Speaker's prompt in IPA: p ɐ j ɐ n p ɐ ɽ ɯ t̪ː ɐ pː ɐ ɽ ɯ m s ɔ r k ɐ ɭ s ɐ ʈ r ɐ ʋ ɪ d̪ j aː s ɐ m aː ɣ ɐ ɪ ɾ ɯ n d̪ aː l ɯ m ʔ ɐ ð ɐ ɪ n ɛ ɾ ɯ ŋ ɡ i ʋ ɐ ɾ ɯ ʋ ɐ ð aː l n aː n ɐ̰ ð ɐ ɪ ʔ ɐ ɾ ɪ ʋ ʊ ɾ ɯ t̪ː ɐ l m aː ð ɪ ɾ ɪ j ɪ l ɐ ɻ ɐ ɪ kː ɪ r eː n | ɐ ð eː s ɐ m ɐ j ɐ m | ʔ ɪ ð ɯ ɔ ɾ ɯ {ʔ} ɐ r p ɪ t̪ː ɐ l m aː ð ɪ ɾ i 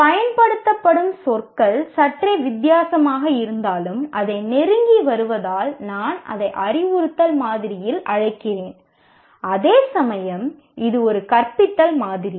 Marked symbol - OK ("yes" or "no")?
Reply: no